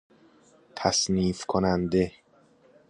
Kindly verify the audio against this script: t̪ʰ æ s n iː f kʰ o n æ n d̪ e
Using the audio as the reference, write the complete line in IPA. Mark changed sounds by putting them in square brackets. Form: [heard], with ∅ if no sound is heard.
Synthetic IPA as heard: t̪ʰ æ s n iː f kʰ o n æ n d̪ e